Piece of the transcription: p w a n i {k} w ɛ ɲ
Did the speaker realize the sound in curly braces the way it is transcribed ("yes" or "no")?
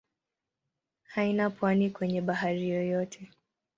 yes